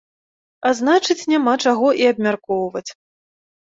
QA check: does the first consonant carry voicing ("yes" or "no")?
yes